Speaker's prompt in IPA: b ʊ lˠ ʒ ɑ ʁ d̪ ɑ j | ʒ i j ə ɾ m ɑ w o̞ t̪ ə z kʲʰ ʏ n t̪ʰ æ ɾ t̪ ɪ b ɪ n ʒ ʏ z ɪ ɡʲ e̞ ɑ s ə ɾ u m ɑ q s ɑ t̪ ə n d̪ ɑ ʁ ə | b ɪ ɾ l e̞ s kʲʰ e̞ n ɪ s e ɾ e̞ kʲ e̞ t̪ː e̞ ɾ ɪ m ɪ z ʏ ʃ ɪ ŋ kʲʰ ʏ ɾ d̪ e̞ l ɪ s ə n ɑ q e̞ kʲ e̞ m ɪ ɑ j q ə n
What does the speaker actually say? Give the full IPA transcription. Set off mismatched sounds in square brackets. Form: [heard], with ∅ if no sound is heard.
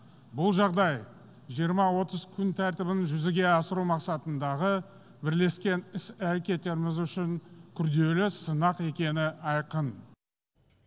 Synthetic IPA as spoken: b ʊ lˠ ʒ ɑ ʁ d̪ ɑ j | ʒ i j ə ɾ m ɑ w o̞ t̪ ə z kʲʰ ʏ n t̪ʰ æ ɾ t̪ ɪ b ɪ n ʒ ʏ z ɪ ɡʲ e̞ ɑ s ə ɾ u m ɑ q s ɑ t̪ ə n d̪ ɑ ʁ ə | b ɪ ɾ l e̞ s [kʲ] e̞ n ɪ s [æ] ɾ e̞ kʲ e̞ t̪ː e̞ ɾ ɪ m ɪ z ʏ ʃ ɪ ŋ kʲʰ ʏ ɾ d̪ e̞ l ɪ s ə n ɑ q e̞ kʲ e̞ [n] ɪ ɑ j q ə n

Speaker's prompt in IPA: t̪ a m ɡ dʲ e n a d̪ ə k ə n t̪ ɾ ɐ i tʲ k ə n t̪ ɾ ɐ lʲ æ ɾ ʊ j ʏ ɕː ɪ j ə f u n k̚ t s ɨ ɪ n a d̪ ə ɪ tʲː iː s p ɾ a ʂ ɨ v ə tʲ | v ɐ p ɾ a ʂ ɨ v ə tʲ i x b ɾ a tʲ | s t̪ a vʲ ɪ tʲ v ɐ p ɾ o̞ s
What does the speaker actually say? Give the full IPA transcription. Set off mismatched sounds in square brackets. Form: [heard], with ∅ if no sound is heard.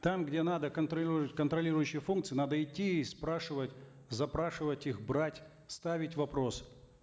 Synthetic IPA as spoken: t̪ a m ɡ dʲ e n a d̪ ə k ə n t̪ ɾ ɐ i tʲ k ə n t̪ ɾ ɐ lʲ [i] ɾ ʊ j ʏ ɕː ɪ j ə f u n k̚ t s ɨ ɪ n a d̪ ə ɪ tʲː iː s p ɾ a ʂ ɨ v ə tʲ | [z] ɐ p ɾ a ʂ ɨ v ə tʲ i x b ɾ a tʲ | s t̪ a vʲ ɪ tʲ v ɐ p ɾ o̞ s

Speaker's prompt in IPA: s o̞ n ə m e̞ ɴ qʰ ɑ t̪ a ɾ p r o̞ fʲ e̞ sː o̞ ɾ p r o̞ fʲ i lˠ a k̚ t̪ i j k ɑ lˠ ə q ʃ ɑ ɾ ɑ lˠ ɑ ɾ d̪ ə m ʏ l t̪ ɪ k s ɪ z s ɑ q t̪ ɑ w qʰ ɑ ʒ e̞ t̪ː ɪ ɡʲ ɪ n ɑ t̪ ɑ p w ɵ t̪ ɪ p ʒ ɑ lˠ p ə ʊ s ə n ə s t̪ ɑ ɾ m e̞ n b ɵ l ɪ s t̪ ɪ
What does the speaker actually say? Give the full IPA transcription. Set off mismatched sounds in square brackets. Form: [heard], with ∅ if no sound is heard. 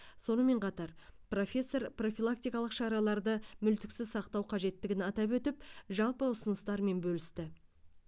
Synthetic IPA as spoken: s o̞ n ə m e̞ ɴ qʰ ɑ t̪ [ɑ] ɾ p r o̞ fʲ e̞ sː o̞ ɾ p r o̞ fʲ i lˠ a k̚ t̪ i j k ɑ lˠ ə q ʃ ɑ ɾ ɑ lˠ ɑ ɾ d̪ ə m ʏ l t̪ ɪ k s ɪ z s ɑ q t̪ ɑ w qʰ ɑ ʒ e̞ t̪ː ɪ ɡʲ ɪ n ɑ t̪ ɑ p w ɵ t̪ ɪ p ʒ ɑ lˠ p ə ʊ s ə n ə s t̪ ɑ ɾ m e̞ n b ɵ l ɪ s t̪ ɪ

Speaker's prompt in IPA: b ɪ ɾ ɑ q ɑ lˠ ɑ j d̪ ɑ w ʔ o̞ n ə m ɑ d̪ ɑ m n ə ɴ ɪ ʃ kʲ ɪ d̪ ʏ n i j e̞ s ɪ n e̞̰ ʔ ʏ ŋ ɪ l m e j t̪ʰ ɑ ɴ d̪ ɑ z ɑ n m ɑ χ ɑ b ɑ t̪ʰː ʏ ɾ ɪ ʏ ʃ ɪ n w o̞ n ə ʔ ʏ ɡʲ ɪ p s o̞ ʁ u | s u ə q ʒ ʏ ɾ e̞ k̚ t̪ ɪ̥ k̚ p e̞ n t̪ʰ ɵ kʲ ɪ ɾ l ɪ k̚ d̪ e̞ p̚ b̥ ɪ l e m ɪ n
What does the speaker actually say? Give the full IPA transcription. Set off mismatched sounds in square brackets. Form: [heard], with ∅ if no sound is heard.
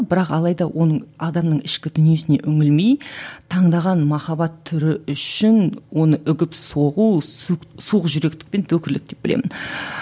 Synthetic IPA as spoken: b ɪ ɾ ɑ q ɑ lˠ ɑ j d̪ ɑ w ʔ o̞ n ə [ɴ] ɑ d̪ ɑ m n ə ɴ ɪ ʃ kʲ ɪ d̪ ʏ n i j e̞ s ɪ n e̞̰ ʔ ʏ ŋ ɪ l m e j t̪ʰ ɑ ɴ d̪ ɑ [ʁ] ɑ n m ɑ χ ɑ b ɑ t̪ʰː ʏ ɾ ɪ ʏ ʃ ɪ n w o̞ n ə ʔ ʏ ɡʲ ɪ p s o̞ ʁ u | s u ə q ʒ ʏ ɾ e̞ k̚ t̪ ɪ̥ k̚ p e̞ n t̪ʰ ɵ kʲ ɪ ɾ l ɪ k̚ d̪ e̞ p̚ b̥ ɪ l e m ɪ n

